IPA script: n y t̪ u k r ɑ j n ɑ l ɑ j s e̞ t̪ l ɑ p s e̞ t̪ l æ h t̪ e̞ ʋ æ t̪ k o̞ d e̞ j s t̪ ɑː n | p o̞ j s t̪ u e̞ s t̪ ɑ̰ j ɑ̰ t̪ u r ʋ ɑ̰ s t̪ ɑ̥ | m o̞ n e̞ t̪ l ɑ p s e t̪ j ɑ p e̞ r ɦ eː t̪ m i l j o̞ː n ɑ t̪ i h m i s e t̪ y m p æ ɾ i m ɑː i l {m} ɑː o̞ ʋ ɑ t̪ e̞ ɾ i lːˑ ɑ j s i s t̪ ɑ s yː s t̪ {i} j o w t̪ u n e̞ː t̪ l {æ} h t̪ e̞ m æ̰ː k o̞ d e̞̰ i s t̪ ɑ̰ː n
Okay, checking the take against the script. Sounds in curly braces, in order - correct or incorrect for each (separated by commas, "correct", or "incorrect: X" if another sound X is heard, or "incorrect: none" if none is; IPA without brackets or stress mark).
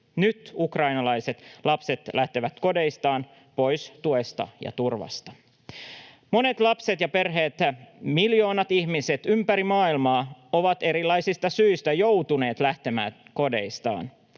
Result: correct, incorrect: æ, correct